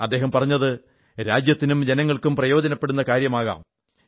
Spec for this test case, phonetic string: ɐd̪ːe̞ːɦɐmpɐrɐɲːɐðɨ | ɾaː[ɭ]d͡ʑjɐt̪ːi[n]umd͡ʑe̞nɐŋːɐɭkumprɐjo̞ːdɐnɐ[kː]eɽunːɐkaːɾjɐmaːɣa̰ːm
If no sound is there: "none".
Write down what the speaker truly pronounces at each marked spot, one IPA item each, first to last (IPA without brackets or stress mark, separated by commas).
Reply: none, n, pː